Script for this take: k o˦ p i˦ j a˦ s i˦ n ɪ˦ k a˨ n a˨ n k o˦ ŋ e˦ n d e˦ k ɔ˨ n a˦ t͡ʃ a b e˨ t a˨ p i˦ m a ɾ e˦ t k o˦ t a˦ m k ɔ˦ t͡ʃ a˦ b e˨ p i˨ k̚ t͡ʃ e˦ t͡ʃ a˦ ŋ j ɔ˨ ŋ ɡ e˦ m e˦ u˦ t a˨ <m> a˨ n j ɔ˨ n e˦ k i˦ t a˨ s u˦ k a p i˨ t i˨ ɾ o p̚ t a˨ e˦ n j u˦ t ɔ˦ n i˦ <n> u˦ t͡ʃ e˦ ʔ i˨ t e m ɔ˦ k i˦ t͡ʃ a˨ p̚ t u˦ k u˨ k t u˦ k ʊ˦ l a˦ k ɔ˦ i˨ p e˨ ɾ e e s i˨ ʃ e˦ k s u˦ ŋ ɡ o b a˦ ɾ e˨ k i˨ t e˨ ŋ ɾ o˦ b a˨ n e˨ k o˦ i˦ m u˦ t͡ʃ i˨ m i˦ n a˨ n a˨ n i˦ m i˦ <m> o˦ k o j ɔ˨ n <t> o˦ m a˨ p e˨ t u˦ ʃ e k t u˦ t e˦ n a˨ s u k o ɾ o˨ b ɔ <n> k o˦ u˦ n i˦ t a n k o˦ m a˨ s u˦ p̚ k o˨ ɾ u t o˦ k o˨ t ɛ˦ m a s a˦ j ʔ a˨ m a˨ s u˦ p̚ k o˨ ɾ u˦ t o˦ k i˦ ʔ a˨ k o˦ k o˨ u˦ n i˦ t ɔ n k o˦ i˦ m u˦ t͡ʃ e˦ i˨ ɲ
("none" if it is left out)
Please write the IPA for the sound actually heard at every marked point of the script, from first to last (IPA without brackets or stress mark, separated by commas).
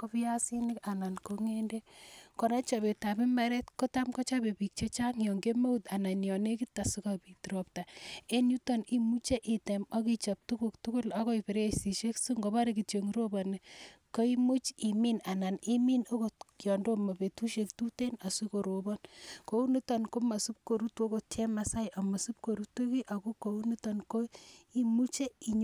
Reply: n, m, n, d, n